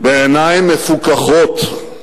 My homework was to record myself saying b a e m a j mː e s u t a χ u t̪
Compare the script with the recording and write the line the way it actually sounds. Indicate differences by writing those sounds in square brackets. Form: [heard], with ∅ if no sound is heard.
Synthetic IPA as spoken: b [e] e [n] a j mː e [f] u [k] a χ [o] t̪